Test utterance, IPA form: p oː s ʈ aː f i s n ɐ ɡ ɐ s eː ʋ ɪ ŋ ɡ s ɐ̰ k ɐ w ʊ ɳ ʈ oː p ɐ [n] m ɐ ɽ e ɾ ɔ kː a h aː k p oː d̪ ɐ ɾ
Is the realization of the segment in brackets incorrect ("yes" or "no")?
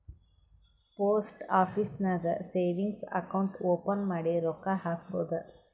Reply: no